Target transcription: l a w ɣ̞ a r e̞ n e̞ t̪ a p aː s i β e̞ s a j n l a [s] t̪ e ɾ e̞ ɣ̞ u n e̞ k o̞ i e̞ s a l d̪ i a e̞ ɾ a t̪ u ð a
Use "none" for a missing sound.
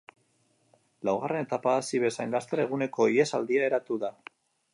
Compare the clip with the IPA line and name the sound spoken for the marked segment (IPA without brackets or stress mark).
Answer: s